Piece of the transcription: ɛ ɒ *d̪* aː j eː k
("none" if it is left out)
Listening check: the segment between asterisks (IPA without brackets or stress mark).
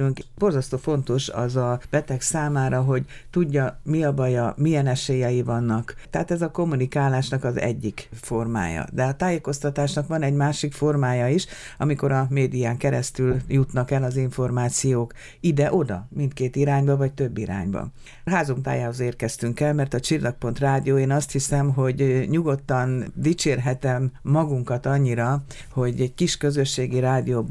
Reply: t̪